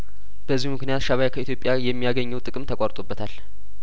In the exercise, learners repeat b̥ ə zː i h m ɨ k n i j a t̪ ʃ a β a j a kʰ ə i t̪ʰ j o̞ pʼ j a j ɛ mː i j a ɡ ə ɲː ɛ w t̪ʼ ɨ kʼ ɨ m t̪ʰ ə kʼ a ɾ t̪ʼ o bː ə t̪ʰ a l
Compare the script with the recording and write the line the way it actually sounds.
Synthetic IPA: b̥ ə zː i h m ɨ k n i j a t̪ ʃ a β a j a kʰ ə i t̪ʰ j o̞ pʼ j a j ɛ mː i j a ɡ ə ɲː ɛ w t̪ʼ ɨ kʼ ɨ m t̪ʰ ə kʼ a ɾ t̪ʼ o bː ə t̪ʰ a l